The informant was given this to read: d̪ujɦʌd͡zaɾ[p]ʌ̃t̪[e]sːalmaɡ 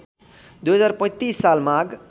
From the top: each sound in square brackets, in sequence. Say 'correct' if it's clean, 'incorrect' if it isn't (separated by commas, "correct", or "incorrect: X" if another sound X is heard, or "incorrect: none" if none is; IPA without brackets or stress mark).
correct, incorrect: i